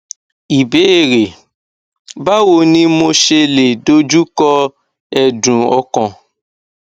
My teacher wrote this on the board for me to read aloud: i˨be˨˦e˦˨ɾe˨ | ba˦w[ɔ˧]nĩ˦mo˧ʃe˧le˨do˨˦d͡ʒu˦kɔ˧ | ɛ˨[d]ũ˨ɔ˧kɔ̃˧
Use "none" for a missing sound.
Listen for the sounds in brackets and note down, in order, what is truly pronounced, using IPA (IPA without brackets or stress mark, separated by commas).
o˧, d